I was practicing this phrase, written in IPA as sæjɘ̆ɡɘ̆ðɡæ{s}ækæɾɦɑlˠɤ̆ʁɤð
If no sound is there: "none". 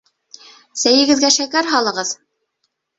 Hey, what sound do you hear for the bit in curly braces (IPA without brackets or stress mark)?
ʃ